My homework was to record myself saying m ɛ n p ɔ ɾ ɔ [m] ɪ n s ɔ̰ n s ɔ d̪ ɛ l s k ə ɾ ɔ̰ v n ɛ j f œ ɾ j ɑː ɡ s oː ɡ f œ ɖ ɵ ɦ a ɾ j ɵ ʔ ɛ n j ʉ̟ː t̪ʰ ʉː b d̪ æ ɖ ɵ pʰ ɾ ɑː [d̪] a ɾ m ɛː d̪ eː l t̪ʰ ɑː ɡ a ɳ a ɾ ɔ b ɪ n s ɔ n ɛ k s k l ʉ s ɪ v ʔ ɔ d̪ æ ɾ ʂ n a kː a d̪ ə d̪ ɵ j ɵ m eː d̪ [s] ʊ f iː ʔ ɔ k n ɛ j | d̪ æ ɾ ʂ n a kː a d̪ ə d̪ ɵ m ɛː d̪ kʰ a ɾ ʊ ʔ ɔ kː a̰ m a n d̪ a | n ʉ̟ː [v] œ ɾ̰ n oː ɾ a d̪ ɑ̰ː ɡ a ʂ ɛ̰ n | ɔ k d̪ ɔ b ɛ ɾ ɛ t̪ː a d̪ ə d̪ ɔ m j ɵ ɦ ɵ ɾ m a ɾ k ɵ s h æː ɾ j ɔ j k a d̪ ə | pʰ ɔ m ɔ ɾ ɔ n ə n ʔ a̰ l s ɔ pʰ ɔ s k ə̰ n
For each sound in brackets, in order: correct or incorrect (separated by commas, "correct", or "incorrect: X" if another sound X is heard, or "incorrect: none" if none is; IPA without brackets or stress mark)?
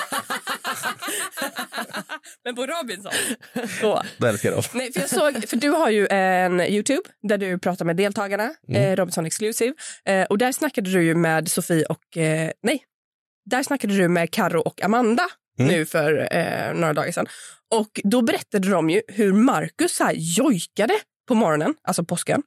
incorrect: b, incorrect: t̪, correct, incorrect: f